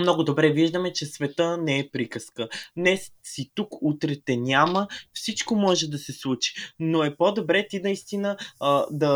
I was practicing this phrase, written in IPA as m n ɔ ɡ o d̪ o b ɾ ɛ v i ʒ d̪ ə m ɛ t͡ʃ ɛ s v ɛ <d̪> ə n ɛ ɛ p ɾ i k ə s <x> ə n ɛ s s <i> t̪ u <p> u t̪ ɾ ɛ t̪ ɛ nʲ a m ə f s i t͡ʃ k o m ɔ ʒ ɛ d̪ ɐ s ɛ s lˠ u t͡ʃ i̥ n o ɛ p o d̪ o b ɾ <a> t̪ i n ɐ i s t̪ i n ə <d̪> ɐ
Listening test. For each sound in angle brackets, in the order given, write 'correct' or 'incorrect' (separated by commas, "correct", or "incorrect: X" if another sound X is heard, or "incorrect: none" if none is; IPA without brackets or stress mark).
incorrect: t̪, incorrect: k, correct, incorrect: k, incorrect: ɛ, correct